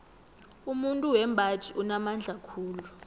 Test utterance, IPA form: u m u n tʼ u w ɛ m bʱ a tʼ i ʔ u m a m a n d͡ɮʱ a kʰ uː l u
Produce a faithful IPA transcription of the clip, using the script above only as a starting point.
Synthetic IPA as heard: u m u n tʼ u w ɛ m bʱ a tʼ i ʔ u n a m a n d͡ɮʱ a kʰ uː l u